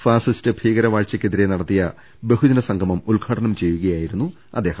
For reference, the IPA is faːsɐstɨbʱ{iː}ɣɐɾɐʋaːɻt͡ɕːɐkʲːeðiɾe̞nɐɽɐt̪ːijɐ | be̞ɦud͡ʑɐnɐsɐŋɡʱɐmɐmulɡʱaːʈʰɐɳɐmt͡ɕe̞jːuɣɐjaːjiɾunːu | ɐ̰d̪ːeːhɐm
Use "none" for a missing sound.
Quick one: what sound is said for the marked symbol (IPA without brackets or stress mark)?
iː